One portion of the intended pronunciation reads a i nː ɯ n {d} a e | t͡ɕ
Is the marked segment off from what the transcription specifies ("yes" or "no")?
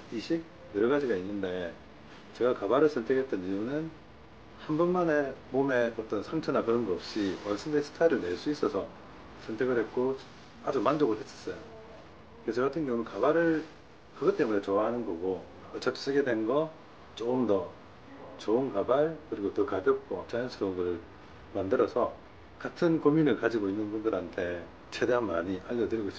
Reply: no